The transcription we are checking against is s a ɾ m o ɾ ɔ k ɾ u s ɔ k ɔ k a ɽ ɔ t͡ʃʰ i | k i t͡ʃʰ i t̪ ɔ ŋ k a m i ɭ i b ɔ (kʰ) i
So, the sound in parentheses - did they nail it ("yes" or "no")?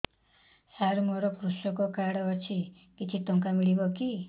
no